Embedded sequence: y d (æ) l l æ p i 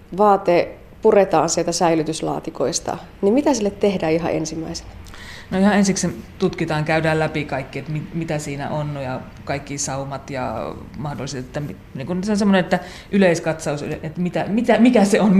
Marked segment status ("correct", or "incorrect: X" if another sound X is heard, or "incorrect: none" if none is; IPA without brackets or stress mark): incorrect: æː